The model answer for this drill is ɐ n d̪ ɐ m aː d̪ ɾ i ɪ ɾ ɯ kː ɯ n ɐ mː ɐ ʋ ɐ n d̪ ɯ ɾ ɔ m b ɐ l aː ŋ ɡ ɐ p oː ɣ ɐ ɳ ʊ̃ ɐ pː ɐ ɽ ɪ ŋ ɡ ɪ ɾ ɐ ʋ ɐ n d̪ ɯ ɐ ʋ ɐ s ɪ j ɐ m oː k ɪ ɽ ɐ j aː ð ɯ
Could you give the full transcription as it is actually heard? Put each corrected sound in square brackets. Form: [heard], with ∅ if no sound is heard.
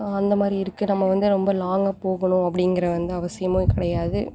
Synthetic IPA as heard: ɐ n d̪ ɐ m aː d̪ ɾ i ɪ ɾ ɯ kː ɯ n ɐ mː ɐ ʋ ɐ n d̪ ɯ ɾ ɔ m b ɐ l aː ŋ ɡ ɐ p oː ɣ ɐ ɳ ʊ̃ ɐ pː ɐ ɽ ɪ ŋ ɡ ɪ ɾ ɐ ʋ ɐ n d̪ ɯ ɐ ʋ ɐ s ɪ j ɐ m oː k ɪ ɽ ɐ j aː ð ɯ